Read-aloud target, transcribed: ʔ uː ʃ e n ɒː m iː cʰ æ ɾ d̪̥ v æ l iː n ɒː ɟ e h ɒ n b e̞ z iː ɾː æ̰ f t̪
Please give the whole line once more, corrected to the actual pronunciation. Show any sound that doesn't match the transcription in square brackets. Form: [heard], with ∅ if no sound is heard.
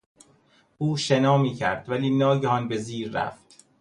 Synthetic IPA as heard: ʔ uː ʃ e n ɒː m iː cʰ æ ɾ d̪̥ v æ l iː n ɒː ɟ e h ɒ n b e̞ z iː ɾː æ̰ f t̪